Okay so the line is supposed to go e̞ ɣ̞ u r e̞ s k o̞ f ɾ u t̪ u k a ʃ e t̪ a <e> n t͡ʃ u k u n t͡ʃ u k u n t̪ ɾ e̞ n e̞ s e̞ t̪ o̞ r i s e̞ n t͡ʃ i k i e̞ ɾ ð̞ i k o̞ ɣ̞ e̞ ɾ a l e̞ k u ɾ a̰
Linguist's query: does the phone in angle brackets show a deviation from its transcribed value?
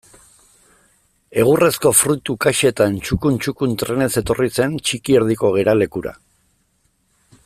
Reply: no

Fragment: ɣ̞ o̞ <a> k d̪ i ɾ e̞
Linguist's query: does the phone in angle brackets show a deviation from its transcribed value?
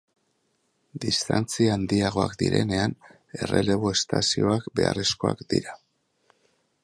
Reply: no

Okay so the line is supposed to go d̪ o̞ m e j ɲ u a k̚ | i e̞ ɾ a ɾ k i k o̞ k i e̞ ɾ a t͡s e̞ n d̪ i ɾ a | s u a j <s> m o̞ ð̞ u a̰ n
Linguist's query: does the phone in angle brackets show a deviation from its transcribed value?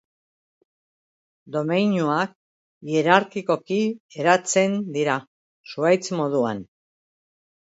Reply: yes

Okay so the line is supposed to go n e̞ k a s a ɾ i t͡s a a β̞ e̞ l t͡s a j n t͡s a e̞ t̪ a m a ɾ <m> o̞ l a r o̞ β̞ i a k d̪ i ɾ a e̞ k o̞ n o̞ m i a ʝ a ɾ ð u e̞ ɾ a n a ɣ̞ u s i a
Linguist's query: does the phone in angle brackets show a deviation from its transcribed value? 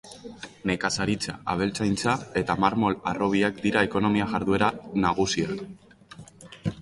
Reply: no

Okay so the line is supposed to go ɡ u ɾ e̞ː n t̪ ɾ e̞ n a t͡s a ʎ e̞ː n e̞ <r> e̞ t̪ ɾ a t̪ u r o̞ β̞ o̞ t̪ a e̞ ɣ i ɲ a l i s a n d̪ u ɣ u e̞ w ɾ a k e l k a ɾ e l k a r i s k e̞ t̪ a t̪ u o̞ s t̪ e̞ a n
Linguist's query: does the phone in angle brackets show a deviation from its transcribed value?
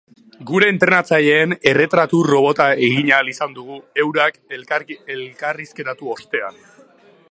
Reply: no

